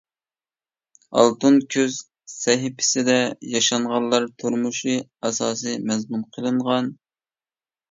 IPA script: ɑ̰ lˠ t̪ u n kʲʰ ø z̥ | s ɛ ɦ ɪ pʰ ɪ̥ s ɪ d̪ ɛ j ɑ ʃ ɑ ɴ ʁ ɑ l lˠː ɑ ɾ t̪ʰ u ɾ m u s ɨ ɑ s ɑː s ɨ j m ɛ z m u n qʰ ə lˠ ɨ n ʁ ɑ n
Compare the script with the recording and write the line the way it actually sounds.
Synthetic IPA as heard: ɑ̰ lˠ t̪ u n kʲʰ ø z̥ | s ɛ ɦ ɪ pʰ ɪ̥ s ɪ d̪ ɛ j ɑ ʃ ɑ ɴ ʁ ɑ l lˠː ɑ ɾ t̪ʰ u ɾ m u ʃ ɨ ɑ s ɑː s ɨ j m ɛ z m u n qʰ ə lˠ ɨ ɴ ʁ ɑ n